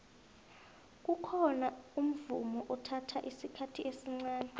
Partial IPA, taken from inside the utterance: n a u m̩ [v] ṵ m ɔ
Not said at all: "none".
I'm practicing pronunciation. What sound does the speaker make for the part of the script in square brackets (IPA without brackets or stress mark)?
v